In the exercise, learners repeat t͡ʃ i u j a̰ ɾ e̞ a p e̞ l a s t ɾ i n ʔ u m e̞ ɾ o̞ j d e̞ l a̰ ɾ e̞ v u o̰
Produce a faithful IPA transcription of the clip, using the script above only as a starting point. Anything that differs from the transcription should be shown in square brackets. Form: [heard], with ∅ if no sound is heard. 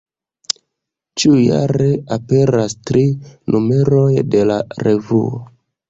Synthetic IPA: t͡ʃ i u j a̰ ɾ e̞ a p e̞ [ɾ] a s t ɾ i n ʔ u m e̞ ɾ o̞ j d e̞ l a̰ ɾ e̞ v u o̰